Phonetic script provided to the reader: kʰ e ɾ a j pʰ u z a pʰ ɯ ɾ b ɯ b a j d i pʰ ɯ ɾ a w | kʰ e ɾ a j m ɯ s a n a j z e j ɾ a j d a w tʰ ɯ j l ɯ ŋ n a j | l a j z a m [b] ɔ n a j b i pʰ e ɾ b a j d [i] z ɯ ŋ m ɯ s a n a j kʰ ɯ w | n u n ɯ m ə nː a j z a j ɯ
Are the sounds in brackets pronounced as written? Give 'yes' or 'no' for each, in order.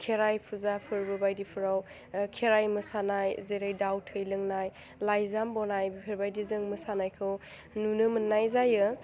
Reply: yes, yes

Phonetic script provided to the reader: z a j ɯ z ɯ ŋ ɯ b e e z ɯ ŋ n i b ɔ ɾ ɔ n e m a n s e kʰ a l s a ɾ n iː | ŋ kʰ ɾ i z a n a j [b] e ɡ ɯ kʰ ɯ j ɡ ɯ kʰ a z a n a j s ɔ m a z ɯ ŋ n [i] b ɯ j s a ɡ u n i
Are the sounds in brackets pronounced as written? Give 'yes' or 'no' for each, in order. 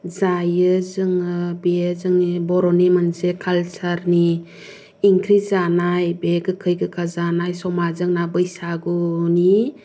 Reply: yes, no

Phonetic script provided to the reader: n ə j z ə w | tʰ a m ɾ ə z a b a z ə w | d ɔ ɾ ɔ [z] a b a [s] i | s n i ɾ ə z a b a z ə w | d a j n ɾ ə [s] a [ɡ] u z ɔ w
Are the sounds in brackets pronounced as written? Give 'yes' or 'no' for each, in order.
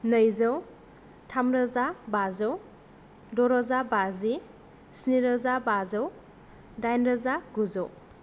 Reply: yes, no, no, yes

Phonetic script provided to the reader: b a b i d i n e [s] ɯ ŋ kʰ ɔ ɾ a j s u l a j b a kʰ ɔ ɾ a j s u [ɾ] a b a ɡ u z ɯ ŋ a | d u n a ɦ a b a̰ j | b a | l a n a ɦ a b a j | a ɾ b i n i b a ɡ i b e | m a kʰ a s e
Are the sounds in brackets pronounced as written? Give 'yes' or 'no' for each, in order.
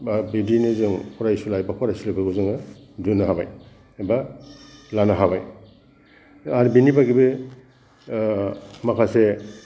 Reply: no, no

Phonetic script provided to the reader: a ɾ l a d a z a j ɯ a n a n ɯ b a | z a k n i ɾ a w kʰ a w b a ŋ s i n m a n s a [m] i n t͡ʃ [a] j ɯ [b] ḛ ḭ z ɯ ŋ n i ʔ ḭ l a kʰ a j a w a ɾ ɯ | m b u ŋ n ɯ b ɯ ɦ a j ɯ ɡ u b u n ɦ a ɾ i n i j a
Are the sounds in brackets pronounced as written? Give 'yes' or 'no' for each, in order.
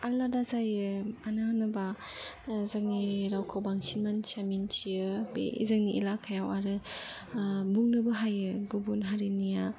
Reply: yes, no, yes

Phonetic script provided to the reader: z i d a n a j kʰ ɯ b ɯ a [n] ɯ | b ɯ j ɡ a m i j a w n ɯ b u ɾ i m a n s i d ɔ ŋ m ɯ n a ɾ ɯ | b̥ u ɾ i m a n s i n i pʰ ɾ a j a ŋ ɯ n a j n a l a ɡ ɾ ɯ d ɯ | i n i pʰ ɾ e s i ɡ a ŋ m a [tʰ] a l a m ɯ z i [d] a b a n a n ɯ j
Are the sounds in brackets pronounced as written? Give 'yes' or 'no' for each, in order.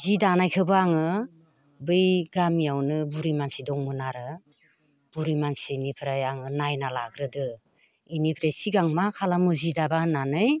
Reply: no, no, yes

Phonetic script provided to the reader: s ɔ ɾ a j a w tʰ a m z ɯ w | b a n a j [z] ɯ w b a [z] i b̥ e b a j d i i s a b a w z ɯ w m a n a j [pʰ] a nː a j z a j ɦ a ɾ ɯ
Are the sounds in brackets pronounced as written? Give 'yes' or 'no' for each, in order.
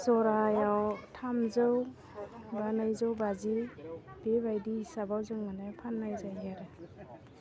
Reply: yes, yes, yes

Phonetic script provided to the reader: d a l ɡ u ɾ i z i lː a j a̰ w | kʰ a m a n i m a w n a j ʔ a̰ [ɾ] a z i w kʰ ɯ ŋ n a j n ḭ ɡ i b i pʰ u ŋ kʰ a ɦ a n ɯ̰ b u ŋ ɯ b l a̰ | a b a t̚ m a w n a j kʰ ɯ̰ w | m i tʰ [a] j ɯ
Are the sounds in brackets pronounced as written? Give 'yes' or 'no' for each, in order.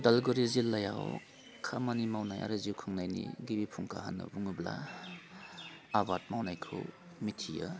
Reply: yes, no

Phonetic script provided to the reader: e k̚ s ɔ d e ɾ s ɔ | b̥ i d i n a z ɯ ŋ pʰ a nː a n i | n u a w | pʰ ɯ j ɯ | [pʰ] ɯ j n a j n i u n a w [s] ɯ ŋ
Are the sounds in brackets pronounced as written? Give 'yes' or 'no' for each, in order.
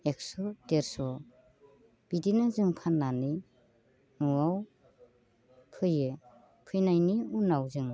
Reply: yes, no

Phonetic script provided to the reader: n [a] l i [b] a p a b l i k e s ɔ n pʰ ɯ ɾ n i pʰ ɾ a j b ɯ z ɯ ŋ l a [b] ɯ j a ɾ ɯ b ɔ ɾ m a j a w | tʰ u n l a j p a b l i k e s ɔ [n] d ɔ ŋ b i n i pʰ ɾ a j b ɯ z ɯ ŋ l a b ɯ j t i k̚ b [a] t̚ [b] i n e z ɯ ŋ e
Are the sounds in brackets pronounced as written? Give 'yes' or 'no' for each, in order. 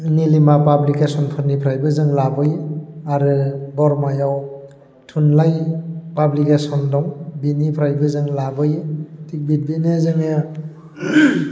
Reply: no, no, yes, yes, no, yes

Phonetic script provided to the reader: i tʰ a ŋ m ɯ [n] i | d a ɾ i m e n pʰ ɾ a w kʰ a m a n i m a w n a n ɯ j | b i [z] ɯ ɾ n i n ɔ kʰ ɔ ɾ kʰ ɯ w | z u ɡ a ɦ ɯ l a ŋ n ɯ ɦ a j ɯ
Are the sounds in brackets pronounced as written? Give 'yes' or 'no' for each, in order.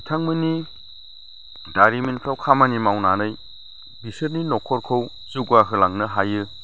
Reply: yes, no

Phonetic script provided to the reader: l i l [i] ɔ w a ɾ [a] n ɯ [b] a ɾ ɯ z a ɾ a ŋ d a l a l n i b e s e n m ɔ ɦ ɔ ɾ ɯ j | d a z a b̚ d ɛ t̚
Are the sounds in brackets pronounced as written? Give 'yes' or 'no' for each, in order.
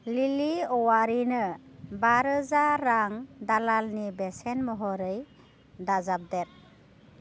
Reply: yes, no, yes

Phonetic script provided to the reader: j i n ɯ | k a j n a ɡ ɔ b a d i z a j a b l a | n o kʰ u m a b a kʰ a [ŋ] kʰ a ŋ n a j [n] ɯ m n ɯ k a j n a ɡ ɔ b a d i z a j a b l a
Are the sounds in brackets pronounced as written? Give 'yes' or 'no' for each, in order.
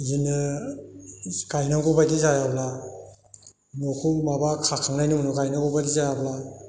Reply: no, yes

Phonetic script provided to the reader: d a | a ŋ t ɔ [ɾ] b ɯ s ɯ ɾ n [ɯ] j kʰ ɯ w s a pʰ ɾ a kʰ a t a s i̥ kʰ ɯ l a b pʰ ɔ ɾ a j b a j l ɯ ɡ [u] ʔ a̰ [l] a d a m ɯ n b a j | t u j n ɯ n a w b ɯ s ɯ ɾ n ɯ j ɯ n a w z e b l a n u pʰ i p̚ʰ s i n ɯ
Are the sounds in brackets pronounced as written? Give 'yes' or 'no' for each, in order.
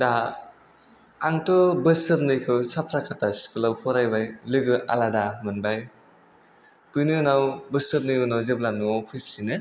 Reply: no, yes, no, yes

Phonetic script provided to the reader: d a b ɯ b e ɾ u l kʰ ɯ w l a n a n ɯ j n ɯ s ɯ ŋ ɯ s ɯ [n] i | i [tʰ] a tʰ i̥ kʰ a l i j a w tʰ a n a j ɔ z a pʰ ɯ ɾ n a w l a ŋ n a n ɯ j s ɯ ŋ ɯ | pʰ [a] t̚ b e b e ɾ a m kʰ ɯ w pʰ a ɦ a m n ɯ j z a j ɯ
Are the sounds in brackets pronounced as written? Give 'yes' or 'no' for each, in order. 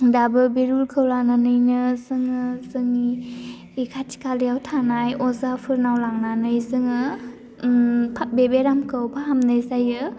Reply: no, no, yes

